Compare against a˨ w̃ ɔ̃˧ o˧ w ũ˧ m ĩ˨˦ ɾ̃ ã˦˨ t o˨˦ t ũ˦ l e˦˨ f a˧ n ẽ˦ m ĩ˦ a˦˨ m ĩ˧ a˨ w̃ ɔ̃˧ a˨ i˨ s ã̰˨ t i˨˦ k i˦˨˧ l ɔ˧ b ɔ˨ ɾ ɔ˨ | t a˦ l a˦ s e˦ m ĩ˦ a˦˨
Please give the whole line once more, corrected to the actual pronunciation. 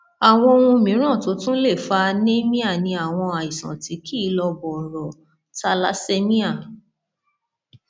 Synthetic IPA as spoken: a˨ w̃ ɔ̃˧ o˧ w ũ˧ m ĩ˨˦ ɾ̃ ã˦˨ t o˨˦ t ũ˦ l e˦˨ f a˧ n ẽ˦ m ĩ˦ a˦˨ n ĩ˧ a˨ w̃ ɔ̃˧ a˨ i˨ s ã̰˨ t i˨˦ k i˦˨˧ l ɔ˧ b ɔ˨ ɾ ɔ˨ | t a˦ l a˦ s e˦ m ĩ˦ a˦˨

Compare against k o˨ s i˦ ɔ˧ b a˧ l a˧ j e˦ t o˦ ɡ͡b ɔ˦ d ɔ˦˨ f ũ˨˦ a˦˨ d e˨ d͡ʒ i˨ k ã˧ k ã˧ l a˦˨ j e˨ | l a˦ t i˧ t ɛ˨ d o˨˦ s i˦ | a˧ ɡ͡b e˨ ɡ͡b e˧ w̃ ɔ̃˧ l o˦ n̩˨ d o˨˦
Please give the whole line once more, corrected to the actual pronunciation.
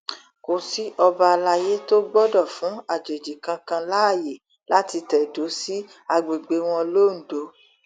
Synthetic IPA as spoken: k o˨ s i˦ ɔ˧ b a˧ l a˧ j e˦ t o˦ ɡ͡b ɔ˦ d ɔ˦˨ f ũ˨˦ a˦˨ d͡ʒ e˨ d͡ʒ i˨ k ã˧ k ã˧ l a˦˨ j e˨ | l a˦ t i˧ t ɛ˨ d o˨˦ s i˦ | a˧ ɡ͡b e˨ ɡ͡b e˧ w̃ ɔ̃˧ l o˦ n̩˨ d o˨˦

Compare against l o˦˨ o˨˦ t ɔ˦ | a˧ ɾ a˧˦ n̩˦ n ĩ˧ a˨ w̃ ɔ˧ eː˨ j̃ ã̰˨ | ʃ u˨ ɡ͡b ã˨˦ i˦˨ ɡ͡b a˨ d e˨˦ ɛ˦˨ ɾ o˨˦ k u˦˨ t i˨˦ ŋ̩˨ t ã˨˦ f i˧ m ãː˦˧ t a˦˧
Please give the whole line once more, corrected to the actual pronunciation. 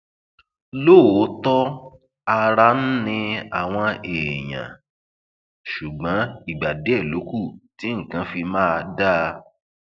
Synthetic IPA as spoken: l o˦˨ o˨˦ t ɔ˦ | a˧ ɾ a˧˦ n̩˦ n ĩ˧ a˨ w̃ ɔ̃˧ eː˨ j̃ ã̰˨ | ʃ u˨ ɡ͡b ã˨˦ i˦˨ ɡ͡b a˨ d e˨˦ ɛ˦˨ l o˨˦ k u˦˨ t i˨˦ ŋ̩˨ k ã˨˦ f i˧ m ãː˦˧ d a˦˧

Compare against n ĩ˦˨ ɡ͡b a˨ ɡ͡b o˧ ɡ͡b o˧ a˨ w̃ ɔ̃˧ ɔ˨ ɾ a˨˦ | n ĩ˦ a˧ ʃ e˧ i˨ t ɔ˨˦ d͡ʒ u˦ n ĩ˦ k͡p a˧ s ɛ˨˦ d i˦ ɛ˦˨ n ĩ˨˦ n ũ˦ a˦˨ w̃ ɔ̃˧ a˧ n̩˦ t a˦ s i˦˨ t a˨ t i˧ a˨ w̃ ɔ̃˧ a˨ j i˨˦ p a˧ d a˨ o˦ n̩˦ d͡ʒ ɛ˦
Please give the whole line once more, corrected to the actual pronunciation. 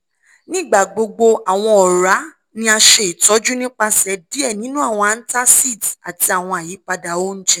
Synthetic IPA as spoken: n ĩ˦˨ ɡ͡b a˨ ɡ͡b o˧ ɡ͡b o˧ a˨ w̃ ɔ̃˧ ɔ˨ ɾ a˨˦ | n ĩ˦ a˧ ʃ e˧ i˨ t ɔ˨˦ d͡ʒ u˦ n ĩ˦ k͡p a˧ s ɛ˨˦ d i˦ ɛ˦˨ n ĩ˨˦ n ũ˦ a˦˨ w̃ ɔ̃˧ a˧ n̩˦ t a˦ s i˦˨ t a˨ t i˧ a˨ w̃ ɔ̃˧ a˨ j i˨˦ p a˧ d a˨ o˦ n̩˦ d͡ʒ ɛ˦

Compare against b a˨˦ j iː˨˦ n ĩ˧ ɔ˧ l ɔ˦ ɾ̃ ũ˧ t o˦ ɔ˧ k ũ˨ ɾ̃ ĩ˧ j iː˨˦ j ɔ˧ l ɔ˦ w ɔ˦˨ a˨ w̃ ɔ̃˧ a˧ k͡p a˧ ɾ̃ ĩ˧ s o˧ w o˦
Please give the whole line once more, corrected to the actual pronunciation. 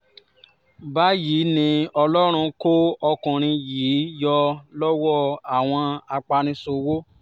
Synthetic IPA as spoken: b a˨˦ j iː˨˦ n ĩ˧ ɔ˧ l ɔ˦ ɾ̃ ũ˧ k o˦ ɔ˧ k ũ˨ ɾ̃ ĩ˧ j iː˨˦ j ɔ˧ l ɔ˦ w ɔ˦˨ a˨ w̃ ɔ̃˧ a˧ k͡p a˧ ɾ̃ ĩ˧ s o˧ w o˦

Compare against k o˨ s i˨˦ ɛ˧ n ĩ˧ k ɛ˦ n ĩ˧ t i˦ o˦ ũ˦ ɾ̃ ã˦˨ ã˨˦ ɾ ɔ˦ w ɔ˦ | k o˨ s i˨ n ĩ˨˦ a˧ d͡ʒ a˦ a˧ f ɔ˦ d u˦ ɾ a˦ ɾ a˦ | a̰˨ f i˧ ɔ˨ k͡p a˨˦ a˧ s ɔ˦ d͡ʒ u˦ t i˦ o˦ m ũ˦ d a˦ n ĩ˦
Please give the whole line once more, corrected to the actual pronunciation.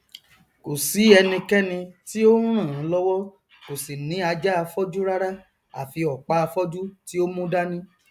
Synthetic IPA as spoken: k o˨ s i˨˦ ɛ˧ n ĩ˧ k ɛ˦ n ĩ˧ t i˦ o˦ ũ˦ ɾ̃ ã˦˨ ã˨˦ l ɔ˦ w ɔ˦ | k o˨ s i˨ n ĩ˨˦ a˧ d͡ʒ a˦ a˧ f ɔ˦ d͡ʒ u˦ ɾ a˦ ɾ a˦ | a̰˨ f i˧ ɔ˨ k͡p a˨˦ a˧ f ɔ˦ d͡ʒ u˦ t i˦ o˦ m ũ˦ d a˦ n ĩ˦

